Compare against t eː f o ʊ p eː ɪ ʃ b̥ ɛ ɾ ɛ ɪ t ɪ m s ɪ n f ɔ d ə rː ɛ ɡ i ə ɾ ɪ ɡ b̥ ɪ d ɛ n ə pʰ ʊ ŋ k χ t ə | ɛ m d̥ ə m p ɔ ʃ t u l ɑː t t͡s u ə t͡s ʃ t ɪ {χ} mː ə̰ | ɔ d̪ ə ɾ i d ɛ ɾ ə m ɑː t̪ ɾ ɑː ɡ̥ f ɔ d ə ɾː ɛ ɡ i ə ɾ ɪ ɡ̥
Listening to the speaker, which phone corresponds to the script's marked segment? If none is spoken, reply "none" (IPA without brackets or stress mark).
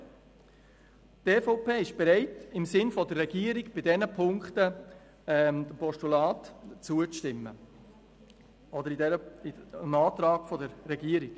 none